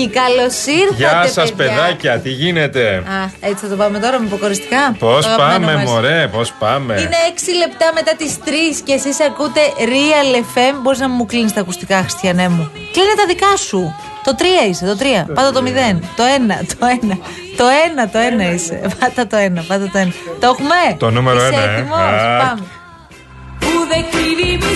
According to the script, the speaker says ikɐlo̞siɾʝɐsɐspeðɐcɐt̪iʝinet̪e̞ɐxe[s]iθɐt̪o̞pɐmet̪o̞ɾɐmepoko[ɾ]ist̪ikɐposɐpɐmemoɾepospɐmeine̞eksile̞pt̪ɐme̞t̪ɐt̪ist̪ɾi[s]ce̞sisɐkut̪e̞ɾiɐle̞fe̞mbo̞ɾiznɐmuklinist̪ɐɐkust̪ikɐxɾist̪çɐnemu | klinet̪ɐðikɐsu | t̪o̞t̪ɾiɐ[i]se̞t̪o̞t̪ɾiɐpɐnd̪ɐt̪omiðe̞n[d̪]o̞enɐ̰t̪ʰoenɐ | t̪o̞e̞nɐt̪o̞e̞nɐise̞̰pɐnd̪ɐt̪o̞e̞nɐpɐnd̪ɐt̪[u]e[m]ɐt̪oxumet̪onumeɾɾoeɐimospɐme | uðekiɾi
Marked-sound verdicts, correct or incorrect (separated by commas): incorrect, correct, correct, correct, incorrect, incorrect, incorrect